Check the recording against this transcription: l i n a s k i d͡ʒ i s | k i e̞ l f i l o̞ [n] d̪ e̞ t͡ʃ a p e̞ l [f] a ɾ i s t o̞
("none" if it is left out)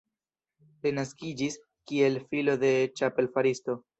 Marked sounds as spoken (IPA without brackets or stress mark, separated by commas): none, f